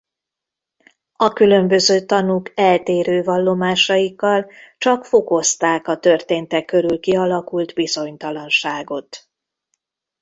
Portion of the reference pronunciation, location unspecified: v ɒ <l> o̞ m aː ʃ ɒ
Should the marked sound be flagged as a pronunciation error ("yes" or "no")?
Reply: yes